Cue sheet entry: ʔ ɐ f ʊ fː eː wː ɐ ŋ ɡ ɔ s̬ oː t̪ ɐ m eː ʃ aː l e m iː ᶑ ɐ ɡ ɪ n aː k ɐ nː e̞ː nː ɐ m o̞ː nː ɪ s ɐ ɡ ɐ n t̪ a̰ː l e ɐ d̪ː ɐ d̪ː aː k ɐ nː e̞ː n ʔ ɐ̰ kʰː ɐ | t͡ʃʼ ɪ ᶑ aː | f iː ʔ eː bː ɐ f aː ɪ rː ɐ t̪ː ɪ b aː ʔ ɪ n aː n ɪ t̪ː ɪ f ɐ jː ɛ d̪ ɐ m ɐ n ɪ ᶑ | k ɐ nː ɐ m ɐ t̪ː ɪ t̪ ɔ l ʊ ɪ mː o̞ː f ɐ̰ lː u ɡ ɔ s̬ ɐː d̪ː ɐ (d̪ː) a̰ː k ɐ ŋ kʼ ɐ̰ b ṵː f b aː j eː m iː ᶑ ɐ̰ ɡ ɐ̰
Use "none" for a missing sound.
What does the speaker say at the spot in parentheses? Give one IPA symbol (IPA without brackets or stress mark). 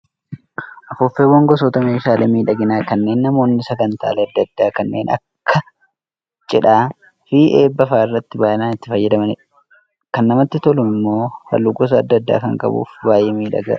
d̪ː